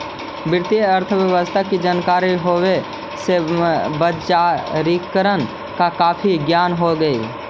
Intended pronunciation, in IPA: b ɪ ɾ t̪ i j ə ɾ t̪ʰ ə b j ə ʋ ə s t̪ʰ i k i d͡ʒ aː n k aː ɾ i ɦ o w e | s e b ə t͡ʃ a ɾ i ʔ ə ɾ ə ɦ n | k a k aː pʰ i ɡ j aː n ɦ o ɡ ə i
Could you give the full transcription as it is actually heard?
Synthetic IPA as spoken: b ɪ ɾ t̪ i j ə ɾ t̪ʰ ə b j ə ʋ ə s t̪ʰ a k i d͡ʒ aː n k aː ɾ i ɦ o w e | s e b ə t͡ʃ a ɾ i k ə ɾ ə n | k a k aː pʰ i ɡ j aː n ɦ o ɡ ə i